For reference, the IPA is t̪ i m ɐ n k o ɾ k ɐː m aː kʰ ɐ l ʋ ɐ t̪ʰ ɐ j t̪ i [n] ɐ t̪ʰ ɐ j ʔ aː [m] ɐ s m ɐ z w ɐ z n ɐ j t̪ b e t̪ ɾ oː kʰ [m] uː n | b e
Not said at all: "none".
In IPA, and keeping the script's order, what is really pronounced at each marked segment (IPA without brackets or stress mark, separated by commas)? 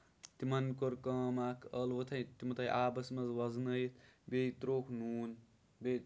m, b, n